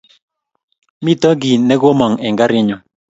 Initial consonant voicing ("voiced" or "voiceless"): voiced